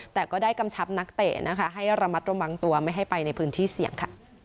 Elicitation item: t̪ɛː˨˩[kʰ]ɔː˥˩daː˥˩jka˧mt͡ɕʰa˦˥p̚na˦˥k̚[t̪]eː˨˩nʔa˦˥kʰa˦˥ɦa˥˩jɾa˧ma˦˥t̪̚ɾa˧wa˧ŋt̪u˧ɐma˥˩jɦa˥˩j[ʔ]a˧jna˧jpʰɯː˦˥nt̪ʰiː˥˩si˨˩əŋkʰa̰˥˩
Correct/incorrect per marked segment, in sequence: incorrect, correct, incorrect

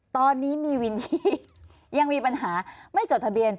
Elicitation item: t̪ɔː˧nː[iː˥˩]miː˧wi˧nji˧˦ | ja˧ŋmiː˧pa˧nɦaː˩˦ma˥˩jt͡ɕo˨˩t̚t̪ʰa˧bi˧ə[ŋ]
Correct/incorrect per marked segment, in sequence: incorrect, incorrect

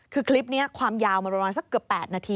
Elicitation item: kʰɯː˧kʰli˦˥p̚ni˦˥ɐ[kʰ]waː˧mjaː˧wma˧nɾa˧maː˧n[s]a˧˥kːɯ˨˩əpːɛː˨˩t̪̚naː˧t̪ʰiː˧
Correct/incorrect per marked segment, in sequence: correct, correct

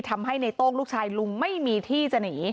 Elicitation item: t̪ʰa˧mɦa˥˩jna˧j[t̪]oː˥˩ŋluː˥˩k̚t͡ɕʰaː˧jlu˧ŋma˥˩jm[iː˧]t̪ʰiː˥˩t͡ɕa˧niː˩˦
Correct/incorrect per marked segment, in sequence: correct, correct

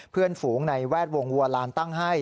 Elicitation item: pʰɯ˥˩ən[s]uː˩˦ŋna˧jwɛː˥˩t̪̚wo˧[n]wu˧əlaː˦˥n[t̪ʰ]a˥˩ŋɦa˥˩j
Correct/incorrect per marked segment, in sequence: incorrect, incorrect, incorrect

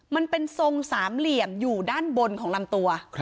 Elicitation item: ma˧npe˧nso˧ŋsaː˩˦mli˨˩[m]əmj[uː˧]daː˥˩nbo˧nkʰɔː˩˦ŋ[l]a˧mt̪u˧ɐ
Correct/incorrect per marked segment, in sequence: incorrect, incorrect, correct

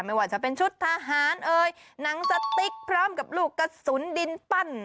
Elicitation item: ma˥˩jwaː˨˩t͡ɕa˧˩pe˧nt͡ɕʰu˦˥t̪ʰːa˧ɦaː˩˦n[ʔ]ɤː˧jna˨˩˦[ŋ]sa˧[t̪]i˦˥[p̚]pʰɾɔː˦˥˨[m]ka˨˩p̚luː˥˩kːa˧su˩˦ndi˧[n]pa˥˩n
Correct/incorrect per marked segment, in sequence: correct, correct, correct, incorrect, correct, correct

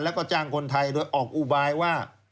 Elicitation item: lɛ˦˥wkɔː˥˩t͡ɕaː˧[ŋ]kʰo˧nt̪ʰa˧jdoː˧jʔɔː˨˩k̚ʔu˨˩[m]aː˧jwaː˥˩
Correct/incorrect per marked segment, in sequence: correct, incorrect

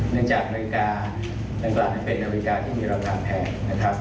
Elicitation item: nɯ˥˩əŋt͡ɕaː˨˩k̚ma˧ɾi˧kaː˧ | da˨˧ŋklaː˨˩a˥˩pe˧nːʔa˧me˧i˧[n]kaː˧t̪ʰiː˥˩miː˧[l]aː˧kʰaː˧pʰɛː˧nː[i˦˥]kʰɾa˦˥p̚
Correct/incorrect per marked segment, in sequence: incorrect, incorrect, incorrect

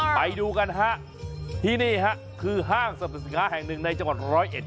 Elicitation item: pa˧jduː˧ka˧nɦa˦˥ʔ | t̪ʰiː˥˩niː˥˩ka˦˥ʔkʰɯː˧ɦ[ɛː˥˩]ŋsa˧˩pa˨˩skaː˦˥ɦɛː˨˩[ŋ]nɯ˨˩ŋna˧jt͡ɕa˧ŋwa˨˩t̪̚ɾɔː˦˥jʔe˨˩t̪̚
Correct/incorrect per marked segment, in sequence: incorrect, correct

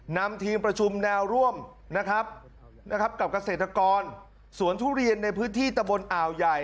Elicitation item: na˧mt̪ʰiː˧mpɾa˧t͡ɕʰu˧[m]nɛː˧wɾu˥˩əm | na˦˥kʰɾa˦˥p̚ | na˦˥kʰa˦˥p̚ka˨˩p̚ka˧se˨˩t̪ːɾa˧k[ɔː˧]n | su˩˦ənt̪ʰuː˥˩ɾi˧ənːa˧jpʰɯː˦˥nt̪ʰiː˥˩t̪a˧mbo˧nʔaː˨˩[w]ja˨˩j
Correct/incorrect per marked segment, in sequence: correct, correct, correct

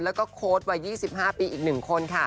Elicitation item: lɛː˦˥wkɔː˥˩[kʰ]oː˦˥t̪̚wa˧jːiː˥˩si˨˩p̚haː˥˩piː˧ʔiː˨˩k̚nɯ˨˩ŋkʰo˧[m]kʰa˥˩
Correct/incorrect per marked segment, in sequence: correct, incorrect

